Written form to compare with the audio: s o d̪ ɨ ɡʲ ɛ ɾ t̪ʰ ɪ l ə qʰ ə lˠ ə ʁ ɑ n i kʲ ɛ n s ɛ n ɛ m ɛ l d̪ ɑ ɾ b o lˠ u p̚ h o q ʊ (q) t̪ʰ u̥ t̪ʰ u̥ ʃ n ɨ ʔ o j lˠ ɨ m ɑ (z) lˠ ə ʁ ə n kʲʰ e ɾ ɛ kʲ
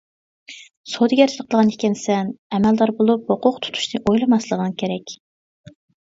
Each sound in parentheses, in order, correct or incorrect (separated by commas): correct, incorrect